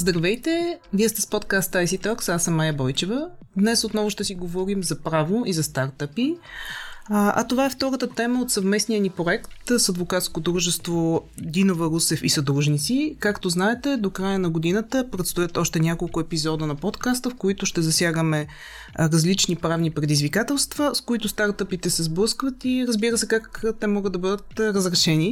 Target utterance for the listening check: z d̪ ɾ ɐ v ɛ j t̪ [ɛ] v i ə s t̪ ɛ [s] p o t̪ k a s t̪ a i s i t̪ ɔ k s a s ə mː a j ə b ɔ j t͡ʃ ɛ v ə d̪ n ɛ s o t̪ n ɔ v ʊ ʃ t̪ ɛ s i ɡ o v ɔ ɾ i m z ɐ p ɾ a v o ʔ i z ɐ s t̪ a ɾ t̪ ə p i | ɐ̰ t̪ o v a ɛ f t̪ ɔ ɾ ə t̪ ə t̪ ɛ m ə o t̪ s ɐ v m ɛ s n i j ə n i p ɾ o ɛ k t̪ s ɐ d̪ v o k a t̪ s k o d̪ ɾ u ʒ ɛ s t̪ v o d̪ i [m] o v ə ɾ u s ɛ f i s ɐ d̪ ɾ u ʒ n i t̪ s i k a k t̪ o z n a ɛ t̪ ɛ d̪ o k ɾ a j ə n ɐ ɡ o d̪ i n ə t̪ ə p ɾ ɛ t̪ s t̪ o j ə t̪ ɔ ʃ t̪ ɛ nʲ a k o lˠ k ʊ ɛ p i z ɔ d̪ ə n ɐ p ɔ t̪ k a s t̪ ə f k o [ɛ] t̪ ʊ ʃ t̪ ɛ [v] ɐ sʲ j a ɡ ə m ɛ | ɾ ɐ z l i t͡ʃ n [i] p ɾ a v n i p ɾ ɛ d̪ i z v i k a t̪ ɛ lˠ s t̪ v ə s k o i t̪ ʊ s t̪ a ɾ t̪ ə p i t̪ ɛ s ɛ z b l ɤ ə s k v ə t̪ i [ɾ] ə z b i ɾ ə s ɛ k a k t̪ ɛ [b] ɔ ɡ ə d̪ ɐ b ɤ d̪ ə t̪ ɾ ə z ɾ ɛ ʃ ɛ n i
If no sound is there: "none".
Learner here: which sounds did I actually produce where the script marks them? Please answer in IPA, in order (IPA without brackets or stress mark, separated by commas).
ɛ, s, n, i, z, i, ɾ, m